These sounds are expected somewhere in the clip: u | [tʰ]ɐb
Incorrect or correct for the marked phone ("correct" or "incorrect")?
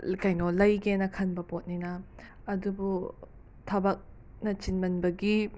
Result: correct